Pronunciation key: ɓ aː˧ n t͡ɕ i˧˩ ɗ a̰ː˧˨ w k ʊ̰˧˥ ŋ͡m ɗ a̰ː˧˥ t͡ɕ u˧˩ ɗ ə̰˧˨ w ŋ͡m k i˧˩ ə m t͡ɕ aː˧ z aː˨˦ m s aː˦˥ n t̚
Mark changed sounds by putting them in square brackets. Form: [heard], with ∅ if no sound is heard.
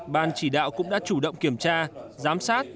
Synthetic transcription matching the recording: ɓ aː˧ n t͡ɕ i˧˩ ɗ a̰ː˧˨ w k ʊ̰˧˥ ŋ͡m ɗ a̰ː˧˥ t͡ɕ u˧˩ ɗ ə̰˧˨ w ŋ͡m k i˧˩ ə m t͡ɕ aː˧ z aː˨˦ m s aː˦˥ [∅] t̚